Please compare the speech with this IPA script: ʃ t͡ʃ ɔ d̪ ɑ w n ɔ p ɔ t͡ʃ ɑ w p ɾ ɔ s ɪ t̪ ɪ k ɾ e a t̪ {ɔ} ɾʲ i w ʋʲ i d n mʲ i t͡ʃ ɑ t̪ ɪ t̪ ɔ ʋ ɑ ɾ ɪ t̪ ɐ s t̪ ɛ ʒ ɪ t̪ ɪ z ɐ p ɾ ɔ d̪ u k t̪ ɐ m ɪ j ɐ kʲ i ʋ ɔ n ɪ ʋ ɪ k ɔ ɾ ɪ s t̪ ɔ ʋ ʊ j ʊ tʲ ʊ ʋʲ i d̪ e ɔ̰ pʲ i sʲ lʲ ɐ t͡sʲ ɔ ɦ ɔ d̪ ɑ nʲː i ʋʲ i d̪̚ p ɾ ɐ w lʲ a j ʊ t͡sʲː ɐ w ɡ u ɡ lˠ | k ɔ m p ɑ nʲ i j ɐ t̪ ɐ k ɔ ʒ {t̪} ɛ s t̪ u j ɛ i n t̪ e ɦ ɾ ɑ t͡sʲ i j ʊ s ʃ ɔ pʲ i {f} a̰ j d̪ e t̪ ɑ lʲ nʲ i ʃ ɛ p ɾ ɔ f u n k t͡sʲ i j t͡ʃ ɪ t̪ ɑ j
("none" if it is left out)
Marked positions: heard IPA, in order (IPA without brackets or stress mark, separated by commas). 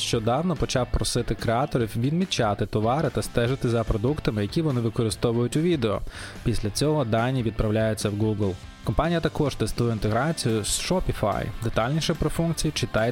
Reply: ɔ, t̪, f